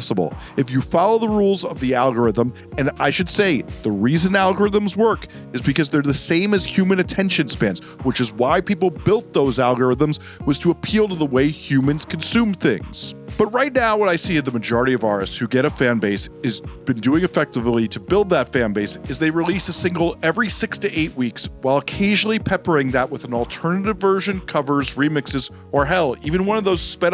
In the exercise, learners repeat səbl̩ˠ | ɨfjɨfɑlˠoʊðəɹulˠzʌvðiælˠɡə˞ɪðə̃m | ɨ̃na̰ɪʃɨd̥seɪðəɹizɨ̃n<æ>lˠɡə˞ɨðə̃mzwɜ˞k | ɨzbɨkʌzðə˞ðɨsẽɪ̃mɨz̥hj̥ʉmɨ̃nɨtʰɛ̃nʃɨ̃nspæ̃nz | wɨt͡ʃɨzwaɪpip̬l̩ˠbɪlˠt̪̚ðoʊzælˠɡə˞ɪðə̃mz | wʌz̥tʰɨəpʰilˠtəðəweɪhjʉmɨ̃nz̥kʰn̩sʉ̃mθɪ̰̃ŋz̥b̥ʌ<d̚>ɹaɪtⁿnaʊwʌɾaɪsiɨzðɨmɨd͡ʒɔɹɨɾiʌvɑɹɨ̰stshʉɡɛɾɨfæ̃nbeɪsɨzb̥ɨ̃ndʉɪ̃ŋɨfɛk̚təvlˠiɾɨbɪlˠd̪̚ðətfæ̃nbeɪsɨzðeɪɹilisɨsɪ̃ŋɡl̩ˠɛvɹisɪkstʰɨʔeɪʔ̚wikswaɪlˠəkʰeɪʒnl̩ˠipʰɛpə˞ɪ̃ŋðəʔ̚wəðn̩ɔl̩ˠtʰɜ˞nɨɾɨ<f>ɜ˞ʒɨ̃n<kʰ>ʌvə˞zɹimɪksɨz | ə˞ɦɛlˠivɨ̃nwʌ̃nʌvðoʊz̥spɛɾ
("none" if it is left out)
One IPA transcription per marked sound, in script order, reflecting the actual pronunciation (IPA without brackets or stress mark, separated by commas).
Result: æ, t̚, v, kʰ